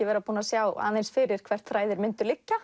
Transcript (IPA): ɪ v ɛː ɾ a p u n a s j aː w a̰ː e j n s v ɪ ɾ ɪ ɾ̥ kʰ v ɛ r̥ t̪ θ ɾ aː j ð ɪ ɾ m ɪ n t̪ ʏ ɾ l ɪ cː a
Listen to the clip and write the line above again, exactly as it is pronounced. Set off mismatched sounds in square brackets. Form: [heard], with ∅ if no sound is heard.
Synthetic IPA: ɪ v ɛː ɾ a p [uː] n a s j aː w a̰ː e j n s [f] ɪ ɾ ɪ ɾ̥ kʰ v ɛ r̥ t̪ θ ɾ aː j ð ɪ ɾ m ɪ n t̪ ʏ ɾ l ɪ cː a